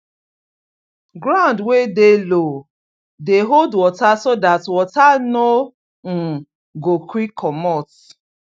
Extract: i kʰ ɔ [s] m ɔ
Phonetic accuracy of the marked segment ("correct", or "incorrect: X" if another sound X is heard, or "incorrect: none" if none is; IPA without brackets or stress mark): incorrect: none